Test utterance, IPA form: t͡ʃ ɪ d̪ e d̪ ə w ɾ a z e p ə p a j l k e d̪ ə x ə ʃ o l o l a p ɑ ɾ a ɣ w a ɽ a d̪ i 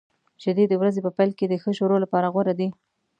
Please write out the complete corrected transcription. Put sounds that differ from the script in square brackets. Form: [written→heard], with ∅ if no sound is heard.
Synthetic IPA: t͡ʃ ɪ d̪ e d̪ ə w ɾ a z e p ə p a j l k e d̪ ə x ə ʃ o [l→ɾ] o l a p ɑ ɾ a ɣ w a [ɽ→ɾ] a d̪ i